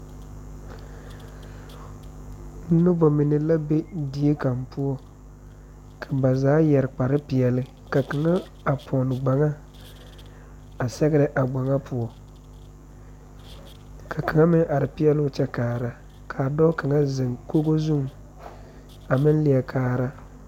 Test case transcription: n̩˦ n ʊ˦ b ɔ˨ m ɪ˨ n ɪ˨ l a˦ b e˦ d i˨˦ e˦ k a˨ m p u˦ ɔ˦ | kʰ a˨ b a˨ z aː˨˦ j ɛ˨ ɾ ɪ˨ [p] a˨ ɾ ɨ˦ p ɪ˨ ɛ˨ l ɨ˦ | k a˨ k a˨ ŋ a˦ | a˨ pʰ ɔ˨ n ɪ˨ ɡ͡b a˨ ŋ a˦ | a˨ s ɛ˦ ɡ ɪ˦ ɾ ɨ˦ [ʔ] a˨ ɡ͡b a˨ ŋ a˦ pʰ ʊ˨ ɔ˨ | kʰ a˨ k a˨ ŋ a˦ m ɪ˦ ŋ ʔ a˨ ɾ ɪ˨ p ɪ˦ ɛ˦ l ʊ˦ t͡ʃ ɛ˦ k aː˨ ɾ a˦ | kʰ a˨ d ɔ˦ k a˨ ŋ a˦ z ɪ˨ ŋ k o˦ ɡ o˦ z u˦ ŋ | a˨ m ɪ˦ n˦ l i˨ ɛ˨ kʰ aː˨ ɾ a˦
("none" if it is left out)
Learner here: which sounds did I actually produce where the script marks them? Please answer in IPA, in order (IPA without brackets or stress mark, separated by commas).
k͡p, ʔ